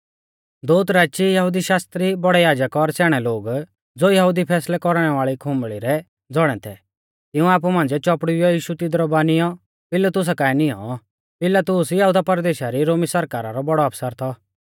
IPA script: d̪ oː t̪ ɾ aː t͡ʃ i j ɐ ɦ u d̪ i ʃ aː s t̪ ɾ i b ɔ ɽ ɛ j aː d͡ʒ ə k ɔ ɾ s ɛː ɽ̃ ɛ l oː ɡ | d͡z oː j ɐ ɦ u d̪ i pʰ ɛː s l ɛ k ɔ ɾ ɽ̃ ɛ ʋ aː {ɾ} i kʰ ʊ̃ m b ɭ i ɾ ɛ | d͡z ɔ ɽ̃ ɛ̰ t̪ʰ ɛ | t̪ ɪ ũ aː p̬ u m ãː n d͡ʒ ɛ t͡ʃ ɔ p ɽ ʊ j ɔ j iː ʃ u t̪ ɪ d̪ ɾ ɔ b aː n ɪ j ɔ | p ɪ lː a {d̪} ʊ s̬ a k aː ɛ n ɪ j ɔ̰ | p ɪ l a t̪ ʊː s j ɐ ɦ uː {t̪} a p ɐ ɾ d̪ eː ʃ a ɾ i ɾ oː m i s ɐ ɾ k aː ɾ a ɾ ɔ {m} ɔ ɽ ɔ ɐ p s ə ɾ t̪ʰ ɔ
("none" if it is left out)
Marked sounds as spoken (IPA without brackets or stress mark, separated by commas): ɭ, t̪, d̪, b